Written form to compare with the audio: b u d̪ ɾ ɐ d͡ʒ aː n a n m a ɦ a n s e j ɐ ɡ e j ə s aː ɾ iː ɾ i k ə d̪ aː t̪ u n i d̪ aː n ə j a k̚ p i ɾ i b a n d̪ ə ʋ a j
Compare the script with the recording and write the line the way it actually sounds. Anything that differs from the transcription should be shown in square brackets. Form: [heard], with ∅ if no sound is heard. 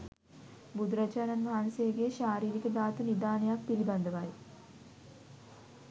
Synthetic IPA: b u d̪ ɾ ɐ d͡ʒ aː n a n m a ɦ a n s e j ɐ ɡ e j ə [ʃ] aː ɾ iː ɾ i k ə d̪ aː t̪ u n i d̪ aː n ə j a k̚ p i ɾ i b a n d̪ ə ʋ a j